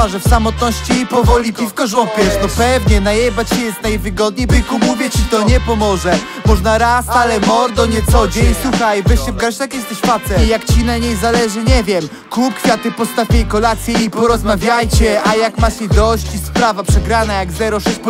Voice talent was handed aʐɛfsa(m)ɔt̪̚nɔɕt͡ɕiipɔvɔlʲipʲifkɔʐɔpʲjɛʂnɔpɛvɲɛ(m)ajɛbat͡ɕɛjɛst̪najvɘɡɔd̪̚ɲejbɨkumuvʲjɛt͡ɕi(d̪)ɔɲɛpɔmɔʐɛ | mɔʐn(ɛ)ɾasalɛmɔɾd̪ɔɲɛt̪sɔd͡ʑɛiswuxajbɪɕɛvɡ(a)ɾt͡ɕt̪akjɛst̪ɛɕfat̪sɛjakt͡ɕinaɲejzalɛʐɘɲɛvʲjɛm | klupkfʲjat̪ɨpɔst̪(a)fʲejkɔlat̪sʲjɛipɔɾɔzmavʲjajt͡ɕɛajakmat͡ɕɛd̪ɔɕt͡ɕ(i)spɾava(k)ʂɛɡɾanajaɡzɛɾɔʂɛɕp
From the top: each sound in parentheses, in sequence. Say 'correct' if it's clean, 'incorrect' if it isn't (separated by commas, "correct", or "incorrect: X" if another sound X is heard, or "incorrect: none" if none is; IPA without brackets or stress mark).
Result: correct, incorrect: n, incorrect: t̪, incorrect: a, correct, correct, correct, incorrect: p